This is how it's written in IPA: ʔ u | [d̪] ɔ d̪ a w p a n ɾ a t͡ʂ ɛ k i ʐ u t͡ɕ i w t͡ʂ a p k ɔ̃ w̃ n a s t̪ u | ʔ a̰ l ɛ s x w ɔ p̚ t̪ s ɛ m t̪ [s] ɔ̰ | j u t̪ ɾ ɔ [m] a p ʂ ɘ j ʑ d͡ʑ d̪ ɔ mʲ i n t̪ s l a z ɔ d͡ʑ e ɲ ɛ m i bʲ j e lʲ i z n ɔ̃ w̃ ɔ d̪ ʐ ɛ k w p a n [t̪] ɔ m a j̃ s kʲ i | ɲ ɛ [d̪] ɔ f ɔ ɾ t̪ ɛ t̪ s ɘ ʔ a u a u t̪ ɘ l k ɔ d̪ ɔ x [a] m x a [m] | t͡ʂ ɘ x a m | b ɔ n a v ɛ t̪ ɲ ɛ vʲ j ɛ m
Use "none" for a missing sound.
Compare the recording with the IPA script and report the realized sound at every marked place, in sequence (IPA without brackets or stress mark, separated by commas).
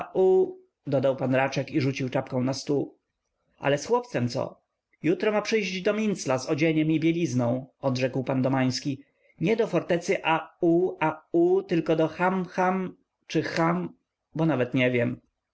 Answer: d̪, s, m, d̪, d̪, a, m